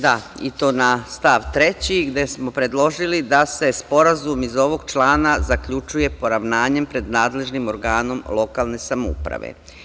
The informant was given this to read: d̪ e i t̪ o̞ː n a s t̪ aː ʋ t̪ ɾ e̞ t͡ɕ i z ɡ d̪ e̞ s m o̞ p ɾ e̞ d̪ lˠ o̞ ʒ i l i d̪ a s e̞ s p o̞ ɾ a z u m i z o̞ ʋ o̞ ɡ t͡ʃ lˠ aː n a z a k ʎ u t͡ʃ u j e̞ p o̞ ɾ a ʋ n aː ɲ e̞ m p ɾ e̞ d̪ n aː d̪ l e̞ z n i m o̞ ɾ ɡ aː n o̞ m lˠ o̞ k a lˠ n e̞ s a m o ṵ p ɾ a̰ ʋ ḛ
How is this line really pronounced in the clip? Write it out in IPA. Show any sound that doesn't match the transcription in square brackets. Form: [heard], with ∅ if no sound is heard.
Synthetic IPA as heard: d̪ [a] i t̪ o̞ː n a s t̪ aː ʋ t̪ ɾ e̞ t͡ɕ i [∅] ɡ d̪ e̞ s m o̞ p ɾ e̞ d̪ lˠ o̞ ʒ i l i d̪ a s e̞ s p o̞ ɾ a z u m i z o̞ ʋ o̞ ɡ t͡ʃ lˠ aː n a z a k ʎ u t͡ʃ u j e̞ p o̞ ɾ a ʋ n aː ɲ e̞ m p ɾ e̞ d̪ n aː d̪ l e̞ [ʒ] n i m o̞ ɾ ɡ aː n o̞ m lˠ o̞ k a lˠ n e̞ s a m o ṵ p ɾ a̰ ʋ ḛ